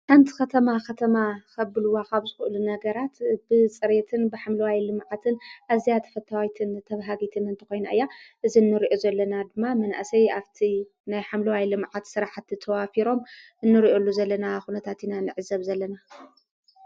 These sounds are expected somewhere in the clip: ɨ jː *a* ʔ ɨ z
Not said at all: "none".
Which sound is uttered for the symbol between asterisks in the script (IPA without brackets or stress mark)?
a